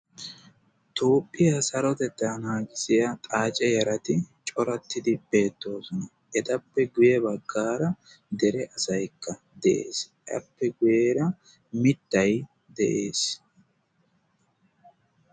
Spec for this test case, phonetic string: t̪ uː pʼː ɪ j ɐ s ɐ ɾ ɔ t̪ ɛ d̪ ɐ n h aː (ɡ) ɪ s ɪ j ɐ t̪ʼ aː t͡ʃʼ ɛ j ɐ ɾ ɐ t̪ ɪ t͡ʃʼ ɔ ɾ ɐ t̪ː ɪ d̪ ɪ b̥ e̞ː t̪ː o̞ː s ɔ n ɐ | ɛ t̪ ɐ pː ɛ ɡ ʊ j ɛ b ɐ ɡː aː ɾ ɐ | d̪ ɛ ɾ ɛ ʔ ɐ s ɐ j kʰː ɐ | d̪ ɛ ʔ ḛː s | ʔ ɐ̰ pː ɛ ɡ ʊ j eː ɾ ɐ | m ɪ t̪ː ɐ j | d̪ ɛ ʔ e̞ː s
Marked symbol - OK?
yes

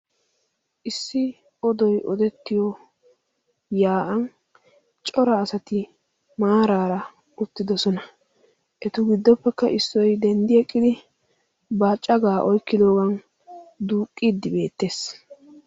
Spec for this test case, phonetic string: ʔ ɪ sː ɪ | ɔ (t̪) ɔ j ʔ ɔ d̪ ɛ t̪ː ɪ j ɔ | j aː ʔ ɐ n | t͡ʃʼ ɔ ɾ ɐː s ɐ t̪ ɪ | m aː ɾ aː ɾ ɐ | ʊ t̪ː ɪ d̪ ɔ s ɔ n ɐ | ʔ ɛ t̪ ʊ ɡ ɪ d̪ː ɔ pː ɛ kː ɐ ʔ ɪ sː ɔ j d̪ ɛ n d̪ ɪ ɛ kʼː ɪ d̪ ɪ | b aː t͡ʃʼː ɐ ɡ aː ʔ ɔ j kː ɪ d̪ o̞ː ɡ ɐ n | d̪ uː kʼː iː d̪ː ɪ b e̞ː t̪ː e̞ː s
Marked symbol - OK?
no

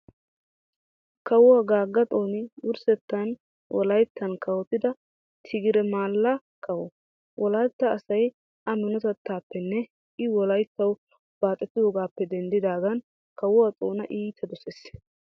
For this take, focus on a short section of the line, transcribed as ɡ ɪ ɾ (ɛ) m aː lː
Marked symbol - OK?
yes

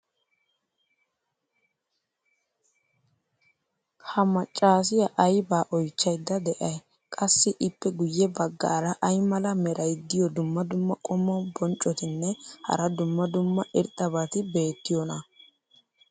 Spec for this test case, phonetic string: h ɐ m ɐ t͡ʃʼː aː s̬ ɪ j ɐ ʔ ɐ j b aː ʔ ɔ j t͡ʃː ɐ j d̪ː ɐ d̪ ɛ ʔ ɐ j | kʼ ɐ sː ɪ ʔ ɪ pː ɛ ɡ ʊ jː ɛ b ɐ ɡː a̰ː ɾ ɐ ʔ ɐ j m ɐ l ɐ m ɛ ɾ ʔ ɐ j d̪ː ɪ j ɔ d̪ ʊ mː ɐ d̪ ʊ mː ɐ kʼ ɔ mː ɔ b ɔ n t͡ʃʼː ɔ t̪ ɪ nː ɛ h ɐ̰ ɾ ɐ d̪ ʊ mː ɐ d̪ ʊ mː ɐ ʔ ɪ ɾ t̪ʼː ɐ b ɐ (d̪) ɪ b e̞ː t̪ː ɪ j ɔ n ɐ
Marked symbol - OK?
no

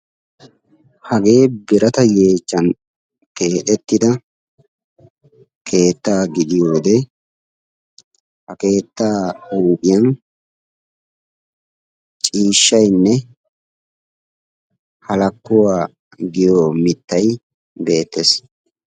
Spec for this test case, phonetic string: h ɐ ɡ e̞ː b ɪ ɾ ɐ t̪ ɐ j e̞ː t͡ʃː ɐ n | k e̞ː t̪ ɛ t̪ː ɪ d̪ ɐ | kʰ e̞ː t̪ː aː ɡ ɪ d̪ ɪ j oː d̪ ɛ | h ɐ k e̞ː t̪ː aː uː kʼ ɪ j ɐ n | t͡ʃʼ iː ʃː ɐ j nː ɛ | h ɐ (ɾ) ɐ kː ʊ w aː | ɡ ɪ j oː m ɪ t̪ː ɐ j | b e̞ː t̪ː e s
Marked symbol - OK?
no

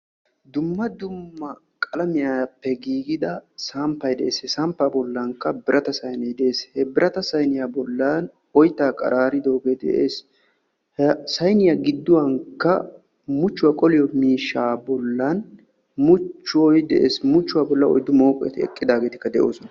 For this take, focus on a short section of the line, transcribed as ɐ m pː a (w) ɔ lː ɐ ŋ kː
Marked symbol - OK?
no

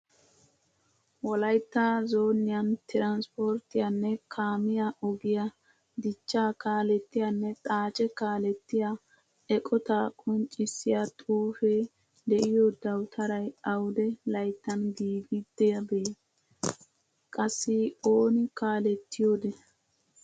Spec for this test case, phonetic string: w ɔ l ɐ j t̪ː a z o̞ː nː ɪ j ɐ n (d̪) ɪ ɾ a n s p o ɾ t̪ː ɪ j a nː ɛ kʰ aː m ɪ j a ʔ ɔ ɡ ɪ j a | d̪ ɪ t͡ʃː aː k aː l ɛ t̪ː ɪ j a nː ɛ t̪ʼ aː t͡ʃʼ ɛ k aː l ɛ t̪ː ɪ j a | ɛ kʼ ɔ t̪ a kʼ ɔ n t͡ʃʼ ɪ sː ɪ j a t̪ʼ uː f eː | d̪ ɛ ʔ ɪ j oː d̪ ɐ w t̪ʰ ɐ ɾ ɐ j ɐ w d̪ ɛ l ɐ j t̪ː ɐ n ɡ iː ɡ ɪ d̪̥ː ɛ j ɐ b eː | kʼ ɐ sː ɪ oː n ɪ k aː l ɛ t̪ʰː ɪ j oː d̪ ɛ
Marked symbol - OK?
no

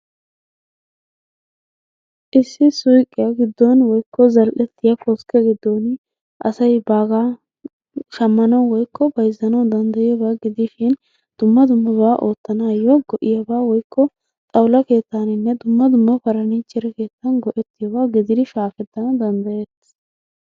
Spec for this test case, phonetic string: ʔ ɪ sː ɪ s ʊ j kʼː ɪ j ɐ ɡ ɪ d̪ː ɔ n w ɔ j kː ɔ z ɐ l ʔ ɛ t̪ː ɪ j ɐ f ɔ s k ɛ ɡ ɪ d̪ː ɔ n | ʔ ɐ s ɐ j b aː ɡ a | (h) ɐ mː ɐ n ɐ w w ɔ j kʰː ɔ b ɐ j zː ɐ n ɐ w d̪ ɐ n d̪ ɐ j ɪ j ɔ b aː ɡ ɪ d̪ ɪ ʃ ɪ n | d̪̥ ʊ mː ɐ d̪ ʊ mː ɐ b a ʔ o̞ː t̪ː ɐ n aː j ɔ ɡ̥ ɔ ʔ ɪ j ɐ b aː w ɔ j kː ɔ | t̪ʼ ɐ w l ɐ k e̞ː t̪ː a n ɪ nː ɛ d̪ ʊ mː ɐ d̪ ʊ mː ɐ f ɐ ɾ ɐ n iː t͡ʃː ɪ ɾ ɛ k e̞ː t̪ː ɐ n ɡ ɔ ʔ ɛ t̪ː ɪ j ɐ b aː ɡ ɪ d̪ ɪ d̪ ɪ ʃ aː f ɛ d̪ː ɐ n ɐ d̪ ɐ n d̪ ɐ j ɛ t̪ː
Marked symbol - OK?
no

